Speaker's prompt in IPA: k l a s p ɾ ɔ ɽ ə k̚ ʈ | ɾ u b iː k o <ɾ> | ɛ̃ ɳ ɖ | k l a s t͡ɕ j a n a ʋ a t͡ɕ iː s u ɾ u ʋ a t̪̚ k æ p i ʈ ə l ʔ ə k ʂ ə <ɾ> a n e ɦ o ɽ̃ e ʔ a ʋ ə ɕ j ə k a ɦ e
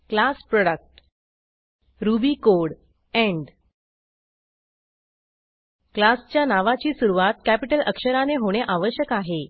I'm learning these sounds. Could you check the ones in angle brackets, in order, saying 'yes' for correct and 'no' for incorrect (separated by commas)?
no, yes